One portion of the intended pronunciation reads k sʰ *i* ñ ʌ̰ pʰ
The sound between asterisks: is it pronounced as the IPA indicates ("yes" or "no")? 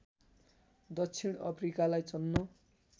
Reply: yes